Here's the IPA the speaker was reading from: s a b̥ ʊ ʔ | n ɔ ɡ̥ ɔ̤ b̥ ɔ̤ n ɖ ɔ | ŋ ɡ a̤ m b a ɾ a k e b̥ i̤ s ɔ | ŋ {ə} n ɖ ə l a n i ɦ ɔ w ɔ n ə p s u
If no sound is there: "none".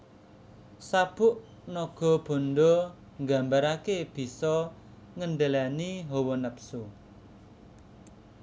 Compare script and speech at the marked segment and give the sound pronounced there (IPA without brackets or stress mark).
ə